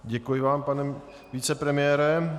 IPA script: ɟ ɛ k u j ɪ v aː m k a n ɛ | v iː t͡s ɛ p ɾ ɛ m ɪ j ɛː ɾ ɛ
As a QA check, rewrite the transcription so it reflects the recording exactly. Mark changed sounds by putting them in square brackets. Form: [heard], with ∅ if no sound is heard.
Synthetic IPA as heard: ɟ ɛ k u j ɪ v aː m [p] a n ɛ | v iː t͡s ɛ p ɾ ɛ m ɪ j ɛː ɾ ɛ